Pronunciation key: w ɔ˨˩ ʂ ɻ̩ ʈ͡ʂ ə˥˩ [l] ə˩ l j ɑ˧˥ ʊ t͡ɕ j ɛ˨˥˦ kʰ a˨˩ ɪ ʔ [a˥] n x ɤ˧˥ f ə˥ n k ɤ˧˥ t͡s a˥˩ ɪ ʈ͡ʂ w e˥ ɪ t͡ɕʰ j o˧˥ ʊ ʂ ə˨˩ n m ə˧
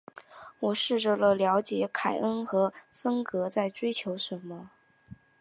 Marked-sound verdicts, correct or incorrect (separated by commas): correct, incorrect